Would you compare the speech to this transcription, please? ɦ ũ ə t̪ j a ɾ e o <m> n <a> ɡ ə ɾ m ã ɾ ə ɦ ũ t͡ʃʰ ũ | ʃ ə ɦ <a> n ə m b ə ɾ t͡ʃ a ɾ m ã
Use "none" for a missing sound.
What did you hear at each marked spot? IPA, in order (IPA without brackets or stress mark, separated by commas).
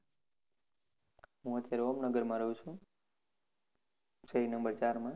m, ə, i